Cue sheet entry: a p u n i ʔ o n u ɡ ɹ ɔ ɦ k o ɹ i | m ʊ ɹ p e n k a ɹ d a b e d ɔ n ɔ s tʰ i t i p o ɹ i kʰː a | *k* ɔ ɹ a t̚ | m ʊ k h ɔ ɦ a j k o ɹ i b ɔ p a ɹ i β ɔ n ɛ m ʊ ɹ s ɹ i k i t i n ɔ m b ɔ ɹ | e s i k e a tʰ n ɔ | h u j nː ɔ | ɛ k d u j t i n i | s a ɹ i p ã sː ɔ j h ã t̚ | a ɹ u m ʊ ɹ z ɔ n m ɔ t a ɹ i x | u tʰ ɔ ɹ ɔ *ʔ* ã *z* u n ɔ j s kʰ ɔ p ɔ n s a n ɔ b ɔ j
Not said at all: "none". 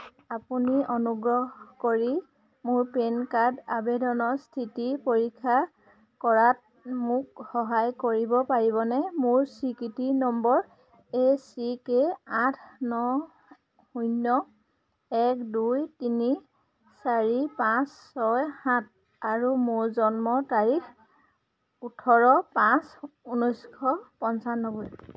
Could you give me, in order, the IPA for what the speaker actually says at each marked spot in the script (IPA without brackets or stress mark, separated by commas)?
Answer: k, p, s